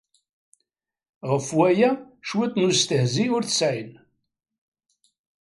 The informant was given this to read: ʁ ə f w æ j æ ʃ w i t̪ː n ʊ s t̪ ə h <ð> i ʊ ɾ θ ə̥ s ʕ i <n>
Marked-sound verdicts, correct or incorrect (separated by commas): incorrect, correct